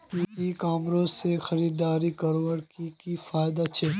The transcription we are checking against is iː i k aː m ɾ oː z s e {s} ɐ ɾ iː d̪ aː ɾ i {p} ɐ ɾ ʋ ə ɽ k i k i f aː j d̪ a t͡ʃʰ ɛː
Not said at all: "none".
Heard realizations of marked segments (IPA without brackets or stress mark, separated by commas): x, k